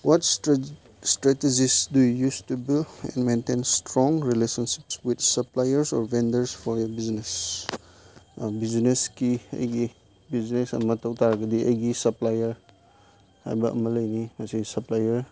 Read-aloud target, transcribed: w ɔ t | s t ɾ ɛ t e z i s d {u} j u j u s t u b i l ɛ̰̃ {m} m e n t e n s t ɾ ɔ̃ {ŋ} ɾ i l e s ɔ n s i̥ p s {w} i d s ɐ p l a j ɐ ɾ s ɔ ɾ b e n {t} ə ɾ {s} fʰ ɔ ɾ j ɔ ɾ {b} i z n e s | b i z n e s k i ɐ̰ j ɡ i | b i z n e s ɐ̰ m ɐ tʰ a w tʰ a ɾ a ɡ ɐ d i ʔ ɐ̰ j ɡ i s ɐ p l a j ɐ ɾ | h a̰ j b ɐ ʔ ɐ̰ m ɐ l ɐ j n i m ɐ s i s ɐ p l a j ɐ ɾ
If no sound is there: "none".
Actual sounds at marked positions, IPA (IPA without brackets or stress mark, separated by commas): u, n, ŋ, w, d, s, b